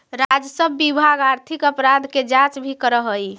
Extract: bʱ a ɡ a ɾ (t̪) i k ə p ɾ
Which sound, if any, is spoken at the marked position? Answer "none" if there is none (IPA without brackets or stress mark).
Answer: t̪ʰ